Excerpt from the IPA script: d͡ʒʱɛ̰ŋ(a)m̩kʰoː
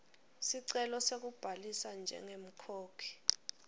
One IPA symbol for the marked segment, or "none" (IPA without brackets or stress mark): e